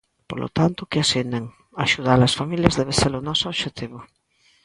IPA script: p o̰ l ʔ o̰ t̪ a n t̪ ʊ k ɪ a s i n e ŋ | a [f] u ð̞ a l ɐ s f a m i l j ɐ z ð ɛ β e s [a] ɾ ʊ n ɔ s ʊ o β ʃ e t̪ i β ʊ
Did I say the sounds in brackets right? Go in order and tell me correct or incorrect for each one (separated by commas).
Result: incorrect, incorrect